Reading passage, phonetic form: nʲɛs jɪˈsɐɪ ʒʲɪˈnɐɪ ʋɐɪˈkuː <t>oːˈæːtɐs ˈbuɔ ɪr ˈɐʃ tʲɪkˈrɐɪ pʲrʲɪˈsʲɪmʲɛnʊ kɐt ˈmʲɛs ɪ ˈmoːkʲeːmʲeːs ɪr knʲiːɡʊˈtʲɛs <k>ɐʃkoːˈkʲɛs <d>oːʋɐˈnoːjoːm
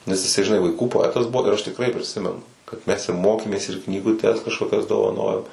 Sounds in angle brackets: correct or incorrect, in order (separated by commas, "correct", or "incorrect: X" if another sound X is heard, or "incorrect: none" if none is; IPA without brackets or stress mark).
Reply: incorrect: p, correct, correct